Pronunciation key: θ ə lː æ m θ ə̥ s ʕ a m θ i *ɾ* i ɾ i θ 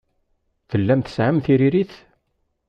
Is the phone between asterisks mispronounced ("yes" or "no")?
no